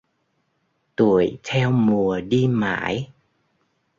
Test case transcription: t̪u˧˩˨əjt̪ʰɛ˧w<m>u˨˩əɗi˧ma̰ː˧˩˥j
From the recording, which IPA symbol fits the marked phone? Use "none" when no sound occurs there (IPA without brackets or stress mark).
m